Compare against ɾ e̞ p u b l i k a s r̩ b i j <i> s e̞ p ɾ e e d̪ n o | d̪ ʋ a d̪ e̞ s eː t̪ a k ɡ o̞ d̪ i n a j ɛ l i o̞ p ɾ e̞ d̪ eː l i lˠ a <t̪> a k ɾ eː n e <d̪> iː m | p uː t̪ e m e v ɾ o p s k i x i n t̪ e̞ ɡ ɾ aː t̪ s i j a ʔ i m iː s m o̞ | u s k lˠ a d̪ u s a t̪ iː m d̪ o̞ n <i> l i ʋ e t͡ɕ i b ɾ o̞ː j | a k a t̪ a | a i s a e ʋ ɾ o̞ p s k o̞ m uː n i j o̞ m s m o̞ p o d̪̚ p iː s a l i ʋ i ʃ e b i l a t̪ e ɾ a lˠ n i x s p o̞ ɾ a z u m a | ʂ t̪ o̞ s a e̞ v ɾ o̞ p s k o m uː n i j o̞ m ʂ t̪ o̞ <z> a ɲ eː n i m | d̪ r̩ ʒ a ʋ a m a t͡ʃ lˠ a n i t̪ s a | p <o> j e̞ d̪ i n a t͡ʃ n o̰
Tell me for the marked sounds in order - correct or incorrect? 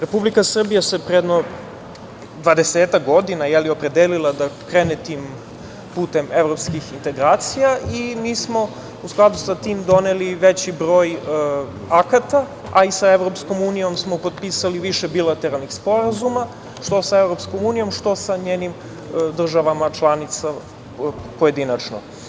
incorrect: a, incorrect: d̪, incorrect: t̪, incorrect: e, incorrect: s, correct

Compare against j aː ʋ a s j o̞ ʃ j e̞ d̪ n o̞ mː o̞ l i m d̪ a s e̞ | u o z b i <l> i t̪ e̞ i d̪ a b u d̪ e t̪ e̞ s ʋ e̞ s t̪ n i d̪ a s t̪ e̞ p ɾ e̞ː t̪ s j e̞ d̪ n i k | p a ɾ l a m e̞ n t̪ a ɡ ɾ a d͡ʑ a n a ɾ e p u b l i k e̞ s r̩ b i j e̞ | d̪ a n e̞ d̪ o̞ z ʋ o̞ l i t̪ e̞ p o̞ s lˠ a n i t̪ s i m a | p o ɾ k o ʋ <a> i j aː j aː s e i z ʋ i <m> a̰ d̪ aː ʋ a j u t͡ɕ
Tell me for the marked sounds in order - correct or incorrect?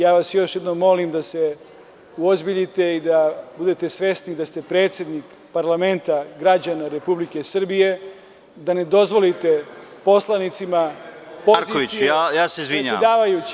incorrect: ʎ, incorrect: i, incorrect: ɲ

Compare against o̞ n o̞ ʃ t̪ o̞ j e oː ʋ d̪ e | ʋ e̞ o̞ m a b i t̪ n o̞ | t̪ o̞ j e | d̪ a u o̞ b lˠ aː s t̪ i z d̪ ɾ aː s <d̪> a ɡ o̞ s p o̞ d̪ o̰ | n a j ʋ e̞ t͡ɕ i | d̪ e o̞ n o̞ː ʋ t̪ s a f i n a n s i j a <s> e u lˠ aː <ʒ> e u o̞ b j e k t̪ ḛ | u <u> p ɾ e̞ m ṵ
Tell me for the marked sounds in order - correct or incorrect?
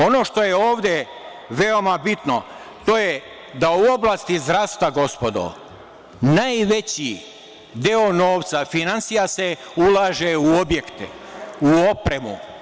incorrect: t̪, correct, correct, incorrect: o

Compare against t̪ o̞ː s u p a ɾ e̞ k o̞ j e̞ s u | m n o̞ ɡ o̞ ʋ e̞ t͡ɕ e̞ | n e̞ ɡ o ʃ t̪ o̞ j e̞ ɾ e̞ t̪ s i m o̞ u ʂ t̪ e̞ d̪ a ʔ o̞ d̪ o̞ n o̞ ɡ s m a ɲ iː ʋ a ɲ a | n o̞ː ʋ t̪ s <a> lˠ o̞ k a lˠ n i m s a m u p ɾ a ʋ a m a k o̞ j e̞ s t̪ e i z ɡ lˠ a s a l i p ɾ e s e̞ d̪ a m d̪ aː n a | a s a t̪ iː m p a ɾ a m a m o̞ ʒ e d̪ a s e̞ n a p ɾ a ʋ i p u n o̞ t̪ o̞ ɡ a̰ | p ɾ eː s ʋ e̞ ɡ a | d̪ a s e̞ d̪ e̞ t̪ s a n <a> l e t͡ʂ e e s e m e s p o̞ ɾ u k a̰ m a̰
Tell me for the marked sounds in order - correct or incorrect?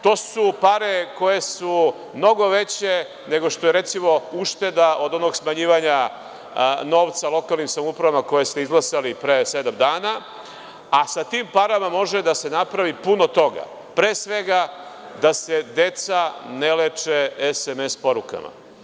correct, incorrect: e

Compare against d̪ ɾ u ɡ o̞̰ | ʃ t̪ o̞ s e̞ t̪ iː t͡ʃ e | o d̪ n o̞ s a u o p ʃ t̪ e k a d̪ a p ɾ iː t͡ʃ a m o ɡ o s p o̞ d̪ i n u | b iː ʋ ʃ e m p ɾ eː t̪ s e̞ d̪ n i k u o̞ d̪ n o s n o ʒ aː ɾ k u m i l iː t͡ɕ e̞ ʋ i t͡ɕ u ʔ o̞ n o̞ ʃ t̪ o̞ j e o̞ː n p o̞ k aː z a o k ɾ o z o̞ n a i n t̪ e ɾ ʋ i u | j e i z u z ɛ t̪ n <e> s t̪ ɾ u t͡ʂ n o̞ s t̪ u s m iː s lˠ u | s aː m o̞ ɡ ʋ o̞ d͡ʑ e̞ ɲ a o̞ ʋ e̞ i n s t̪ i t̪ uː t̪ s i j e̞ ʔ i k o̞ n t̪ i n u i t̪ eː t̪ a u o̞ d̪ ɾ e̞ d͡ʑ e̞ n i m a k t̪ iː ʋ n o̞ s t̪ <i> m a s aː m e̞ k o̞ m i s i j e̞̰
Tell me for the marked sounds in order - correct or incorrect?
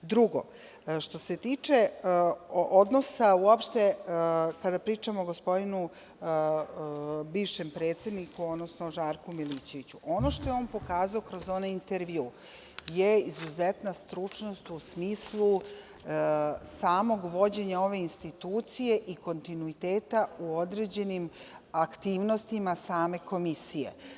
incorrect: a, correct

